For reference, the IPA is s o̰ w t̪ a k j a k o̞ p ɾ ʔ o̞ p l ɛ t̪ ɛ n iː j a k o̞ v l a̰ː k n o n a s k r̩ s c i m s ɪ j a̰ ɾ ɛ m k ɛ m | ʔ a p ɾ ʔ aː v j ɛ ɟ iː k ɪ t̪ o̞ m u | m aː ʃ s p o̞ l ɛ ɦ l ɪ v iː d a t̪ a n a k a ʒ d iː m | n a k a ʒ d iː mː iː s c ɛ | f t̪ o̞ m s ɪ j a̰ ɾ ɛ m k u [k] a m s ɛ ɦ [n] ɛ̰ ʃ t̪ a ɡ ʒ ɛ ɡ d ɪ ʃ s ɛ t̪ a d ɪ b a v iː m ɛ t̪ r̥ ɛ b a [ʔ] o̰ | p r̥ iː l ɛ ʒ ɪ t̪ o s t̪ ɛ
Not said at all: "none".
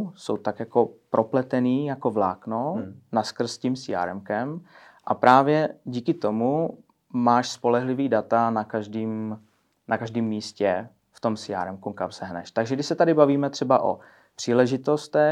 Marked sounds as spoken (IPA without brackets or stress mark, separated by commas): k, n, ʔ